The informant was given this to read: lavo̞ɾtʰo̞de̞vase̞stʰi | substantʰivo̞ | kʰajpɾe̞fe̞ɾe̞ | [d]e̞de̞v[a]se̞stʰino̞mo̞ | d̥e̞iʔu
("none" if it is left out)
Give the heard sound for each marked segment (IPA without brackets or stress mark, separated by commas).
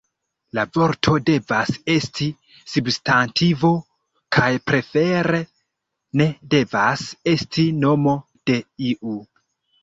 n, a